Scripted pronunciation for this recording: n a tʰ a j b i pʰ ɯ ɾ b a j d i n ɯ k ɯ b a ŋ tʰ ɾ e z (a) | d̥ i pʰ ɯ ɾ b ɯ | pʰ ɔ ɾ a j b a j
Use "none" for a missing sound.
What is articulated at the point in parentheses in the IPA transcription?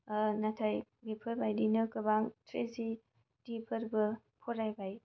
i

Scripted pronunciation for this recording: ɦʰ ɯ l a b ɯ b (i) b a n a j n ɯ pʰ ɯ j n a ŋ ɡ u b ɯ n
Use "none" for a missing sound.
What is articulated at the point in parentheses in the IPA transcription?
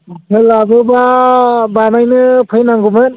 a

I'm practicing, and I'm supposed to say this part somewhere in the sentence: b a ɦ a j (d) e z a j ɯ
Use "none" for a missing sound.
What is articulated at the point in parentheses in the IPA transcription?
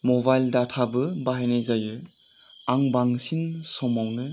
n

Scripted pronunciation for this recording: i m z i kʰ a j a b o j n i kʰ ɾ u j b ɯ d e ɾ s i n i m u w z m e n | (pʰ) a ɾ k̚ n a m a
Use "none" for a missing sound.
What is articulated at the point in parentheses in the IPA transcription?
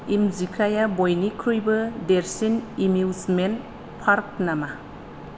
pʰ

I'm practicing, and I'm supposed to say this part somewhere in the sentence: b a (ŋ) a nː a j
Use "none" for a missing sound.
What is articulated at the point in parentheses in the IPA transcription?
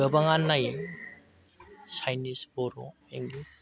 ŋ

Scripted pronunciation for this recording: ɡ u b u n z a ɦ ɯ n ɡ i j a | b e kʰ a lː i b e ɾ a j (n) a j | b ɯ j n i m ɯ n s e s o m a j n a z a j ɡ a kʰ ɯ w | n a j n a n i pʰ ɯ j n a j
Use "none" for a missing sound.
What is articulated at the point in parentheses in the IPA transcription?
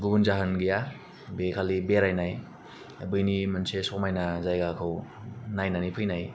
n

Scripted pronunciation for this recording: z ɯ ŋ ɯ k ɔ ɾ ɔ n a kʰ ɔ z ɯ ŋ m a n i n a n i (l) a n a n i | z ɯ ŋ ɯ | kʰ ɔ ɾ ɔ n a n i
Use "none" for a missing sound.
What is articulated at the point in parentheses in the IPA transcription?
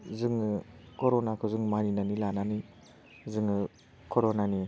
l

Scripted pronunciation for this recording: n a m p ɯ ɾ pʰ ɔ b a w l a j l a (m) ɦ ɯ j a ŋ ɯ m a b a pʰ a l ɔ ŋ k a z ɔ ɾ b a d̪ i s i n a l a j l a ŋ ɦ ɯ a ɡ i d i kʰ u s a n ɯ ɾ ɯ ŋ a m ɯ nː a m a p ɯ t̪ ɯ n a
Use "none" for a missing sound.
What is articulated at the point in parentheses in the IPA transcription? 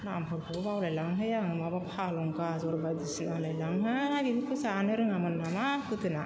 ŋ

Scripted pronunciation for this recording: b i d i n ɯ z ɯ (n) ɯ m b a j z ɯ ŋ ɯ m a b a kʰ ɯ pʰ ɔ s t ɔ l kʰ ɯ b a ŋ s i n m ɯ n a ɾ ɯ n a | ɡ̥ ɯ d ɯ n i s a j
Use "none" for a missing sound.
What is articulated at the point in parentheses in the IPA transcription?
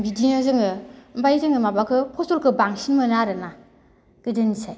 ŋ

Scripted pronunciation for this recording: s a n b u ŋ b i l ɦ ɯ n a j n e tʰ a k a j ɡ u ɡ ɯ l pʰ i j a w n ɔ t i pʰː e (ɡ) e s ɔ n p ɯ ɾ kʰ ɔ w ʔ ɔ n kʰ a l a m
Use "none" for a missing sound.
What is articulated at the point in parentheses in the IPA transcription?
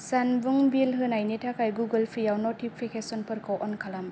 k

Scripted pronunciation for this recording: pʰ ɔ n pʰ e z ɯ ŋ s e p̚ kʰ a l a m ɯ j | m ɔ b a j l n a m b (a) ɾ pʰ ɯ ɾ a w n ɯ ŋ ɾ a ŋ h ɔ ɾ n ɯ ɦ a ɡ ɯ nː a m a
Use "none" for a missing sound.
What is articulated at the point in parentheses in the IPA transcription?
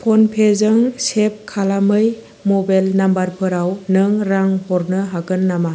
a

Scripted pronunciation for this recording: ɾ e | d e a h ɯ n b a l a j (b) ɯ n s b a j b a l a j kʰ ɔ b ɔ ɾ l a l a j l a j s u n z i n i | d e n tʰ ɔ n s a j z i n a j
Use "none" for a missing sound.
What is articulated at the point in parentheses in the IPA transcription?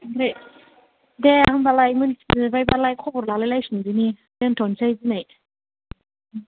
m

